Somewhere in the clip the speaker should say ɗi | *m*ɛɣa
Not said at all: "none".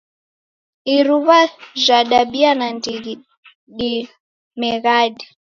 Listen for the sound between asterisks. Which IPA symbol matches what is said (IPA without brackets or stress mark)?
m